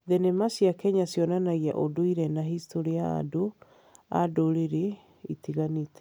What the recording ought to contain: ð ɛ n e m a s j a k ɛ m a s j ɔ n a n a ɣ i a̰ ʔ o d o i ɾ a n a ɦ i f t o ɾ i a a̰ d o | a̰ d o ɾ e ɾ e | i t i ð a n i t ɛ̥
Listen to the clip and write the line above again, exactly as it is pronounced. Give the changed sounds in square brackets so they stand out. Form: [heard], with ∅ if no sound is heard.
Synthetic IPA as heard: ð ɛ n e m a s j a k ɛ [ɲ] a s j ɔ n a n a ɣ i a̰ ʔ o d o i ɾ [ɛ] n a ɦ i [s] t o ɾ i a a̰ d o | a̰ d o ɾ e ɾ e | i t i [ɣ] a n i t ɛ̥